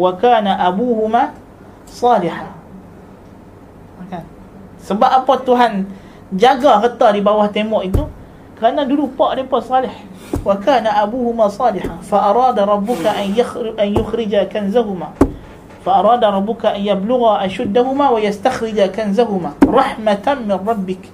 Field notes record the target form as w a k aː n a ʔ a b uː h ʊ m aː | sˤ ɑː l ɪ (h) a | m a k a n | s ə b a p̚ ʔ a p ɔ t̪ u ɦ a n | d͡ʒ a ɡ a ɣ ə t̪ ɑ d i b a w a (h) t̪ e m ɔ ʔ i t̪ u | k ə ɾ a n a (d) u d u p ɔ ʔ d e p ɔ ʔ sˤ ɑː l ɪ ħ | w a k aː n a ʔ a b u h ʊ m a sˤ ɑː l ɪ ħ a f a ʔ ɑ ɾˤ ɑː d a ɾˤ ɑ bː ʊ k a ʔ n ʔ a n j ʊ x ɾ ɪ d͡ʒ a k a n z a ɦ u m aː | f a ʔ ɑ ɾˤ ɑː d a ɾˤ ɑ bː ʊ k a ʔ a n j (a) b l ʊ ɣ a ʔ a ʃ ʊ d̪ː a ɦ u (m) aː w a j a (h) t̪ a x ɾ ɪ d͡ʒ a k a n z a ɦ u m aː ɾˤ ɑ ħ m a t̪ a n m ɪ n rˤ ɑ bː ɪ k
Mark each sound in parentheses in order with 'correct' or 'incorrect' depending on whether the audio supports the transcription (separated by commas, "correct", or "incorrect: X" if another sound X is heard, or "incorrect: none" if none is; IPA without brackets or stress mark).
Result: incorrect: ħ, correct, correct, correct, correct, incorrect: s